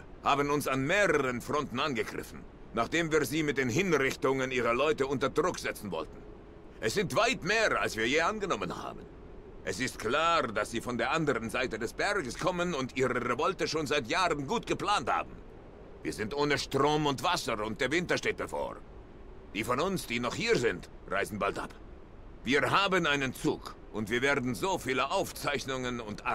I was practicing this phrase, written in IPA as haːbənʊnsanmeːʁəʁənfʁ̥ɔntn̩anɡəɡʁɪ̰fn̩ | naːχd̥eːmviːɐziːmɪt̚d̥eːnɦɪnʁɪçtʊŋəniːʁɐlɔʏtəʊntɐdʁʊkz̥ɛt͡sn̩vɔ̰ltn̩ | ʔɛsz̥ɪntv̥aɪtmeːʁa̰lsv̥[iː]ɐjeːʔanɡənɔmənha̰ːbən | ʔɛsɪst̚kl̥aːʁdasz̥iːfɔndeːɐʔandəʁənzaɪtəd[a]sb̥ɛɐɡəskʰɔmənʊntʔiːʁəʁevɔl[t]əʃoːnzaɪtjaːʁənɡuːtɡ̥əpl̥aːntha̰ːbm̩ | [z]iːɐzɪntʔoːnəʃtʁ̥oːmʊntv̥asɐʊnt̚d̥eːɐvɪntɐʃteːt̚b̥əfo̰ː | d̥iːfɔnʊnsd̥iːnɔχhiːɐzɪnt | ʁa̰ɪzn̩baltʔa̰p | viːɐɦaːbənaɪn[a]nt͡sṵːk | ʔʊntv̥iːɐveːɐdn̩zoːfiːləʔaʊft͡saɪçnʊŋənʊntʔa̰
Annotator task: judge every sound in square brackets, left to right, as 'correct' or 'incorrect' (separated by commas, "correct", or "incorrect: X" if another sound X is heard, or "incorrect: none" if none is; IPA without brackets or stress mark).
correct, incorrect: ɛ, correct, incorrect: v, incorrect: ə